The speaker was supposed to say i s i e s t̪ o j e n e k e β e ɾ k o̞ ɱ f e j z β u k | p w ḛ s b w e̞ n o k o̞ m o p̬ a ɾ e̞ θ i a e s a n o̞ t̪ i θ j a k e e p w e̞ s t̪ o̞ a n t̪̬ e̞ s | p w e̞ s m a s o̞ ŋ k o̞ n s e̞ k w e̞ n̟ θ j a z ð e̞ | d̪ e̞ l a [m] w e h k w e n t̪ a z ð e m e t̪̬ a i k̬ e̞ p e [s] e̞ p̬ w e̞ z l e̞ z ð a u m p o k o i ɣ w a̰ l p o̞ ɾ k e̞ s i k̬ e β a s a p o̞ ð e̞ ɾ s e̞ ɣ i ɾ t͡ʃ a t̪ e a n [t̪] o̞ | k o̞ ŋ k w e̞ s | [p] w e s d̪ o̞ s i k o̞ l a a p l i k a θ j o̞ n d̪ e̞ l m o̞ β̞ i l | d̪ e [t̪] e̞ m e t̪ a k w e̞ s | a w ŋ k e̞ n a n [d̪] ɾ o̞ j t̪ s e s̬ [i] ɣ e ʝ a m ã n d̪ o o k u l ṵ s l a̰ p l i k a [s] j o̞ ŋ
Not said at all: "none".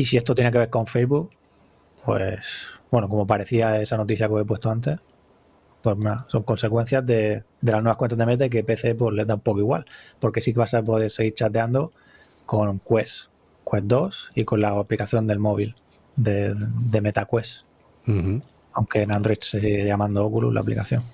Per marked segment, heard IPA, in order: n, θ, d̪, k, d̪, d̪, i, θ

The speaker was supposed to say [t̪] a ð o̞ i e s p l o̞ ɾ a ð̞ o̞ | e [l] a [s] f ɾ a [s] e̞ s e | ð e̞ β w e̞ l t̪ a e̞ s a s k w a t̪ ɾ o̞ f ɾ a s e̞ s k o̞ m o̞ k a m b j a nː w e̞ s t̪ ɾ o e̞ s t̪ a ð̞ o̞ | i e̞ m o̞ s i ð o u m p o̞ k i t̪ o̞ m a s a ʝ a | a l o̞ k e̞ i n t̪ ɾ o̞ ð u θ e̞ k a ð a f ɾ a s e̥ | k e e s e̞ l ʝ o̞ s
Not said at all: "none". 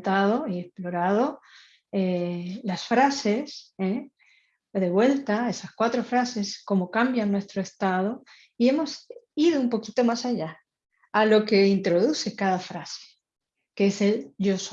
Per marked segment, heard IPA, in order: t̪, l, s, s

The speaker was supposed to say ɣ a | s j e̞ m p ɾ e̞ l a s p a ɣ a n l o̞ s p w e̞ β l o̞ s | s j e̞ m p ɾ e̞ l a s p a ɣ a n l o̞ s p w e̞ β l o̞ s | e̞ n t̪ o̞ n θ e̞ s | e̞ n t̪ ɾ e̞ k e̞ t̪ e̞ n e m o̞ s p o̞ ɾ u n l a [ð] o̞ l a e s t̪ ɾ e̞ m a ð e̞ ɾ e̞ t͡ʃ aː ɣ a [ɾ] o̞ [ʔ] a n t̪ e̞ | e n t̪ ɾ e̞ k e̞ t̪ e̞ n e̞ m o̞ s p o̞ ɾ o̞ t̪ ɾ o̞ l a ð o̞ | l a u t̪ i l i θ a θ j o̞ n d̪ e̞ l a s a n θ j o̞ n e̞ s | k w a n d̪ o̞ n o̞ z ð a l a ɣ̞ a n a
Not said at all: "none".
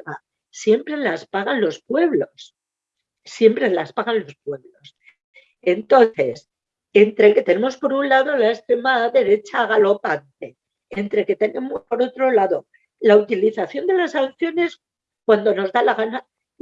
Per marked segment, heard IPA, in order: ð, l, p

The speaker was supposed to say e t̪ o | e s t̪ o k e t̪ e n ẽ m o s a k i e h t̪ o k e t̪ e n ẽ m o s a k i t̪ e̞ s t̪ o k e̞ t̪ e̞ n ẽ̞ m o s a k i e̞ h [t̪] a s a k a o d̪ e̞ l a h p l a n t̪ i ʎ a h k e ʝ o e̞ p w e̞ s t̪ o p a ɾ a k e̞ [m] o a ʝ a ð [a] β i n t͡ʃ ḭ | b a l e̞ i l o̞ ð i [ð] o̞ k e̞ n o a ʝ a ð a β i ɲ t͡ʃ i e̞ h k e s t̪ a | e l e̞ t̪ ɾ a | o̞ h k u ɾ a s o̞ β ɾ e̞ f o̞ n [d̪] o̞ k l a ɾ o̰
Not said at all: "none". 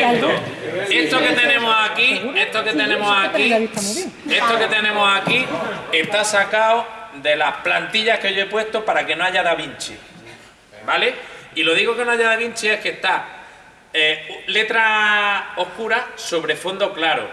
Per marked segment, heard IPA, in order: t̪, n, a, ɣ, d̪

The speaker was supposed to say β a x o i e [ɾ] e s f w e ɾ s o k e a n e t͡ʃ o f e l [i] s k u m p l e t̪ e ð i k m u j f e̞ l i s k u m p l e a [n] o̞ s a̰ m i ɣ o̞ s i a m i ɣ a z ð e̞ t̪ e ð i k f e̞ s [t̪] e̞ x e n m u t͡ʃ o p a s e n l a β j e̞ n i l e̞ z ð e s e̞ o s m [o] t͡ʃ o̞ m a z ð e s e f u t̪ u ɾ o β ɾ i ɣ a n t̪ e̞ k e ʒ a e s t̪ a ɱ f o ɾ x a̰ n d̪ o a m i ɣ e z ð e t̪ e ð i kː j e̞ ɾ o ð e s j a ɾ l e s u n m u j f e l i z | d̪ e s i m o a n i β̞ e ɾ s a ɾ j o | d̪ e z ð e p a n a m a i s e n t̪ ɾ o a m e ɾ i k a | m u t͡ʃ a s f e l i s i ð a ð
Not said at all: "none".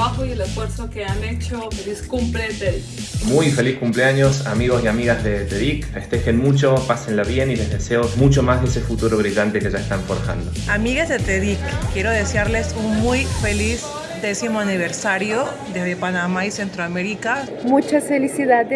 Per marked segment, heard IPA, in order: l, i, ɲ, t̪, u

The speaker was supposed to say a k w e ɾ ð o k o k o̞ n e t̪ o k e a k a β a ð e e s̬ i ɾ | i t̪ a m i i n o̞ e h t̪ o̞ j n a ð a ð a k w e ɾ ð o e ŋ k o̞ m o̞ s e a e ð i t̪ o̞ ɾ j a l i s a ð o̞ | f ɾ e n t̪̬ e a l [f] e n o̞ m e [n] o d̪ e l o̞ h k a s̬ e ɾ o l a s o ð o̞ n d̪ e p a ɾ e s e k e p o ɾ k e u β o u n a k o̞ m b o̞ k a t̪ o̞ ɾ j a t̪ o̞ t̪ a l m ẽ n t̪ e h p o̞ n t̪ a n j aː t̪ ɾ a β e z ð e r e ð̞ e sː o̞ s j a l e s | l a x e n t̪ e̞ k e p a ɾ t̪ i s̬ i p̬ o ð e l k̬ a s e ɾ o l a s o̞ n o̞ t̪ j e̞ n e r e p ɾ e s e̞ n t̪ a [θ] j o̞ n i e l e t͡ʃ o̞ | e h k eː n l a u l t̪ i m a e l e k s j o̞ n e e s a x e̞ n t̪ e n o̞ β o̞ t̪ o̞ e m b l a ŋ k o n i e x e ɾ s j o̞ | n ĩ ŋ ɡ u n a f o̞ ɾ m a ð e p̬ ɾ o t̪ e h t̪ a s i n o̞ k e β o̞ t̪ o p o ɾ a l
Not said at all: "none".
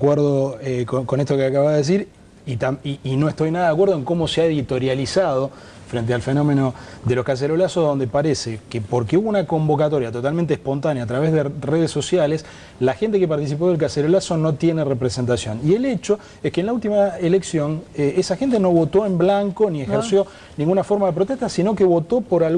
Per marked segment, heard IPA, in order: f, n, s

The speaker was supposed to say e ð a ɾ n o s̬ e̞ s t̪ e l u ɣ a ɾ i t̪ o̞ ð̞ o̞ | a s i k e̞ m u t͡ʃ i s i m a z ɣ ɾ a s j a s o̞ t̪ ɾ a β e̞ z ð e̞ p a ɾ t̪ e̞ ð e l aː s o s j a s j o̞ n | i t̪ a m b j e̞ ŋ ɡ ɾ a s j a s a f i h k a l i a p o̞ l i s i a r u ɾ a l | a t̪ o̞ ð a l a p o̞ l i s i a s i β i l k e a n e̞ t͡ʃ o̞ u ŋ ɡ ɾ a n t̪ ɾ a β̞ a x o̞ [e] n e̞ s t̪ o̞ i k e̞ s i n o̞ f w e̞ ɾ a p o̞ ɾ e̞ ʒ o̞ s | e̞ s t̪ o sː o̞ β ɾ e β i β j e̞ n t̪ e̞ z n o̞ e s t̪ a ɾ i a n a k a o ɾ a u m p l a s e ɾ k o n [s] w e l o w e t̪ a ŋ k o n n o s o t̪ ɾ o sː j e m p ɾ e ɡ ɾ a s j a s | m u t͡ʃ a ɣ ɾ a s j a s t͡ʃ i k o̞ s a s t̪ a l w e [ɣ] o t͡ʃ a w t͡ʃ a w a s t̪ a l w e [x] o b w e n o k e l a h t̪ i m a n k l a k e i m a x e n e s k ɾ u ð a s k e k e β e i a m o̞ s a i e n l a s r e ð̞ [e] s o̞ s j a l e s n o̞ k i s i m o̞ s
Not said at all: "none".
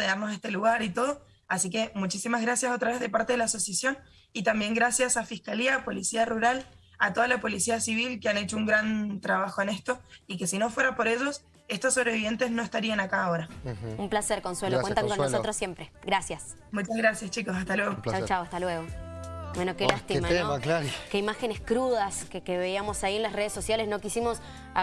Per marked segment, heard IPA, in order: e, s, ɣ, ɣ, e

